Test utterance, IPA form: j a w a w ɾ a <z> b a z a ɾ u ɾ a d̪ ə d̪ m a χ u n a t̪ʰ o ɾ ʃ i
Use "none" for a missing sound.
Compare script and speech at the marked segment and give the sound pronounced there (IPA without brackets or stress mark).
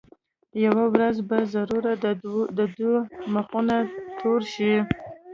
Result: z